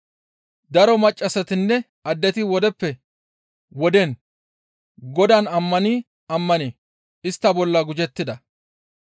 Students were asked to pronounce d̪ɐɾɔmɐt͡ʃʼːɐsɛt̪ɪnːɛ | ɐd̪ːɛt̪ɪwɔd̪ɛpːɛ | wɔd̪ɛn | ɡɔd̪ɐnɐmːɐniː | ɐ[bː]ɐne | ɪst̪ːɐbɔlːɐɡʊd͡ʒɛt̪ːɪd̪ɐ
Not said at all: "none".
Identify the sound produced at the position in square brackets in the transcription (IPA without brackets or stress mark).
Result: mː